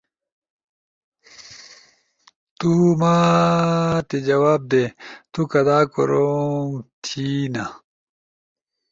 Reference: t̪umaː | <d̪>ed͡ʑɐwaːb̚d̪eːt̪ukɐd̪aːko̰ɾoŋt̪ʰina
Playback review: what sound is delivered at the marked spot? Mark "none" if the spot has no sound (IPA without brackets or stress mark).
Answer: t̪